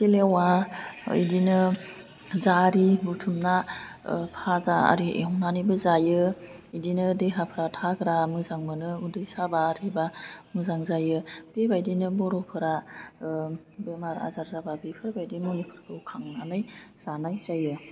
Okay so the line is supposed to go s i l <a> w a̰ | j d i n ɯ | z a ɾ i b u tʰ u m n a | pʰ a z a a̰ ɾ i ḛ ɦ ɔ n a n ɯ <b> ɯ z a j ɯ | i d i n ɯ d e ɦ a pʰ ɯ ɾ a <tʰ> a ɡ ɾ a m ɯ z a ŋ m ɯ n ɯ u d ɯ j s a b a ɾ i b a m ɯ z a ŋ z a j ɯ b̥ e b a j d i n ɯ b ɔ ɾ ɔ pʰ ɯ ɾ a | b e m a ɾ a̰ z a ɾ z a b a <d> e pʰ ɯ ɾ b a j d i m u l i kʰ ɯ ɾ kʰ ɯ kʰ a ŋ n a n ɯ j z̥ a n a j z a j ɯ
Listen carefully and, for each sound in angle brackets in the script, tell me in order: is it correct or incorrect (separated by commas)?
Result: incorrect, correct, correct, incorrect